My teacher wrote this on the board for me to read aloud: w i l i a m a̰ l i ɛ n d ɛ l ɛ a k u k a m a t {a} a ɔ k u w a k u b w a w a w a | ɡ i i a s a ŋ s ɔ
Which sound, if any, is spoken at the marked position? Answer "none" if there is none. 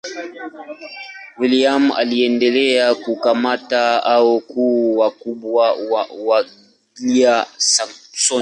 a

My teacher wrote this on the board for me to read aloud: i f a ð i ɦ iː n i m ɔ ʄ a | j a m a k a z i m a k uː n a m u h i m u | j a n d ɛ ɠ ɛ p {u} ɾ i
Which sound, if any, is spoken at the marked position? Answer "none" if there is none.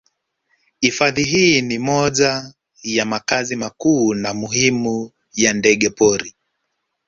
ɔ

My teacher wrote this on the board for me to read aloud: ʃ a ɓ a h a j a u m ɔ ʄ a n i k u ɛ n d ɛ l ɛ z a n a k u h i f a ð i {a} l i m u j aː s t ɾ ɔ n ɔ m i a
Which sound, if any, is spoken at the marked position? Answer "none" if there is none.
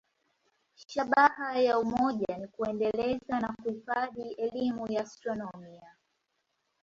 ɛ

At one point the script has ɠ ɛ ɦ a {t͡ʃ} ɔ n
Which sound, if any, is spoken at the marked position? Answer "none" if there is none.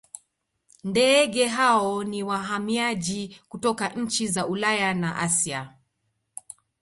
none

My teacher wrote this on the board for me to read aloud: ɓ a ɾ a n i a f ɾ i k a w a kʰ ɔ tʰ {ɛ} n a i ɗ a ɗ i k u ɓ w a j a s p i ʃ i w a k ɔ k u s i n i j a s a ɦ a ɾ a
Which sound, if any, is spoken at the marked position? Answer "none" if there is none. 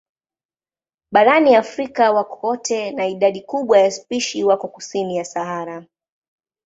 ɛ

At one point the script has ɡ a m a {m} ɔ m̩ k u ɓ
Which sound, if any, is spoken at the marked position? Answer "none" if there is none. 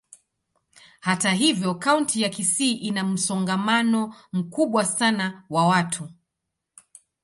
n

